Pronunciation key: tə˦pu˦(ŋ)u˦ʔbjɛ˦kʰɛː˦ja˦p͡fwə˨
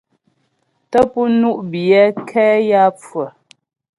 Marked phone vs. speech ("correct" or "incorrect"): incorrect